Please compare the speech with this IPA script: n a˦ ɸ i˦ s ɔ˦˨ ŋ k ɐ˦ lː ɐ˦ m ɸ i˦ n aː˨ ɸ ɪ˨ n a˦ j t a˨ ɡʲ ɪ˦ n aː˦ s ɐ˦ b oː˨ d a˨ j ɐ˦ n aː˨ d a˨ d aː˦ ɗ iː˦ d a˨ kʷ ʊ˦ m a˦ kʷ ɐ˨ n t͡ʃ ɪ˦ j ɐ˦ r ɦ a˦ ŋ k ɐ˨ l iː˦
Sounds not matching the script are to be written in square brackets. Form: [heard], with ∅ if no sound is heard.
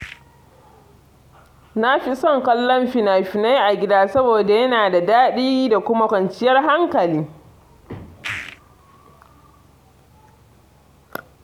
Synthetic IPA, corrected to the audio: n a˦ ɸ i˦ s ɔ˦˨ ŋ k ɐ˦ lː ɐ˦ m ɸ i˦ n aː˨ ɸ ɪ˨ n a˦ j [ʔ] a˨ ɡʲ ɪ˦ [d] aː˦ s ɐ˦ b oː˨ d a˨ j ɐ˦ n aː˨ d a˨ d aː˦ ɗ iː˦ d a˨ kʷ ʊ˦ m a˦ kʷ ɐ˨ n t͡ʃ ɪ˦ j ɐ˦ r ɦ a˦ ŋ k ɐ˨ l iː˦